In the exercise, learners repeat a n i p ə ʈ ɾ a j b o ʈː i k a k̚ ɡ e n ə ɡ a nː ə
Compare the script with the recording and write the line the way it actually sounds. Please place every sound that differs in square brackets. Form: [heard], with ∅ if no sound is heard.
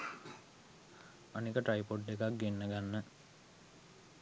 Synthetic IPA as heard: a n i [k] ə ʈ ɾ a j [p] o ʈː [e] k a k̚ ɡ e [nː] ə ɡ a nː ə